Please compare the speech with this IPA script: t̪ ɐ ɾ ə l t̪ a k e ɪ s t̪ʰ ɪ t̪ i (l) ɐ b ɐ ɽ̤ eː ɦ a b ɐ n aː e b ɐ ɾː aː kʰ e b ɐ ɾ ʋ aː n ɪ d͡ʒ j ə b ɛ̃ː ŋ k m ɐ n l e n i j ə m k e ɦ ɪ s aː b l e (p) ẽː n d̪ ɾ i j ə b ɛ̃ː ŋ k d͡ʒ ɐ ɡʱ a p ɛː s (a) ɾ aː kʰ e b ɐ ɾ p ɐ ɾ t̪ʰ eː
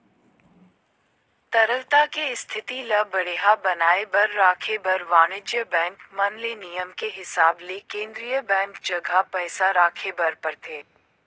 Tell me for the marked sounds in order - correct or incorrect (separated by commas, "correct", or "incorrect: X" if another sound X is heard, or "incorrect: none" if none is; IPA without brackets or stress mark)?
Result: correct, incorrect: k, correct